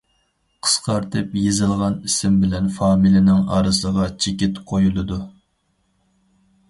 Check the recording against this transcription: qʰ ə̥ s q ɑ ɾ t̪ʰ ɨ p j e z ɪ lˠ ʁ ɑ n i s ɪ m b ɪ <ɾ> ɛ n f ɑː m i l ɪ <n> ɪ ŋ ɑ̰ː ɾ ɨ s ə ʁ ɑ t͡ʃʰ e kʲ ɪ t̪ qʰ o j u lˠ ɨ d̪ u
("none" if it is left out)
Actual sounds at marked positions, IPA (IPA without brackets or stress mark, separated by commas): l, n